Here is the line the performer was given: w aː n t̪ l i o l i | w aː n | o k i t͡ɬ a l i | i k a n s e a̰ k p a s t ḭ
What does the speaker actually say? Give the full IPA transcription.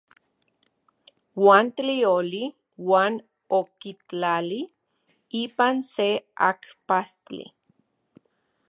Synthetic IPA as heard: w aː n t̪ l i o l i | w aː n | o k i t͡ɬ a l i | i p a n s e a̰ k p a s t ḭ